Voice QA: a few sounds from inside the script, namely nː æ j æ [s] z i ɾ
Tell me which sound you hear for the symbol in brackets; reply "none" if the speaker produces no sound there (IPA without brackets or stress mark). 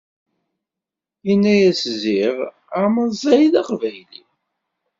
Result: s